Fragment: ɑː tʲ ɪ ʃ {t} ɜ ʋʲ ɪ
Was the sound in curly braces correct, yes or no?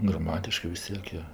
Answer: no